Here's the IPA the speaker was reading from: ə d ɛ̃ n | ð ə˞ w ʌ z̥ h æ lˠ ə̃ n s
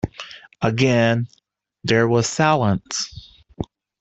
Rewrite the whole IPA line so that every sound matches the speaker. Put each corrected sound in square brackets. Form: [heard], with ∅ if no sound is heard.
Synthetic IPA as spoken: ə [ɡ] ɛ̃ n | ð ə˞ w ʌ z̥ [s] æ lˠ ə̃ n s